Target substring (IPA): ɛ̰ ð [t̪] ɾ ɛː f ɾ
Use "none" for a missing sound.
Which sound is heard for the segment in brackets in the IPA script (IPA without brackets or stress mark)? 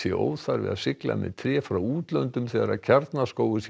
t̪ʰ